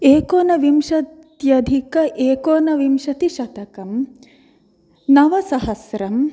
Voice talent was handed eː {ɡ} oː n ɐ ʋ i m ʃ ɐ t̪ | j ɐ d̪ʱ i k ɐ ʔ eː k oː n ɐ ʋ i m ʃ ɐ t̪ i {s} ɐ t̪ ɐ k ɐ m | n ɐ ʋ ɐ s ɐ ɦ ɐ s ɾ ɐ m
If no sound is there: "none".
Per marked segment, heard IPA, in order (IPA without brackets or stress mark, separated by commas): k, ʃ